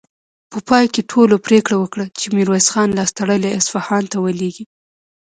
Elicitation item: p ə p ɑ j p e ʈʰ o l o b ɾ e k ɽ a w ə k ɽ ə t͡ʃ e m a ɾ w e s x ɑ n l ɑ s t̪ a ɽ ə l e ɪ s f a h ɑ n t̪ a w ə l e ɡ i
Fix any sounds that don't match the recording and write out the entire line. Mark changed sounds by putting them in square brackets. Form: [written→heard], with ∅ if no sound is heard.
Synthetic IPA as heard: p ə p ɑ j [p→k] e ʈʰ o l o [b→p] ɾ e k ɽ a w ə k ɽ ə t͡ʃ e m [a→i] ɾ w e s x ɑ n l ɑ s t̪ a ɽ ə l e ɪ s f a h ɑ n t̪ a w ə l e ɡ i